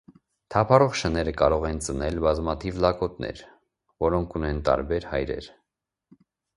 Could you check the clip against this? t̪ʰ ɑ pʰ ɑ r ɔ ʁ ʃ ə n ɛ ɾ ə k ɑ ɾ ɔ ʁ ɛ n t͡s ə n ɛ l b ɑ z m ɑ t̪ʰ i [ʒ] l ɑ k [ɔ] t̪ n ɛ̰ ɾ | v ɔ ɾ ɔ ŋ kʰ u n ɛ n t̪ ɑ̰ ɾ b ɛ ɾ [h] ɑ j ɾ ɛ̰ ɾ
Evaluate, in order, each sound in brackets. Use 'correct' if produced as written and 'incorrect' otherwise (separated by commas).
incorrect, correct, correct